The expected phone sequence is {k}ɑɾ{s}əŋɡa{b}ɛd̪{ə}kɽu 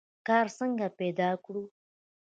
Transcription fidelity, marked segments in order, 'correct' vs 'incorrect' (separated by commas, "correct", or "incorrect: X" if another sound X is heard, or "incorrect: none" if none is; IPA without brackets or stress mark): correct, correct, incorrect: p, incorrect: ɑ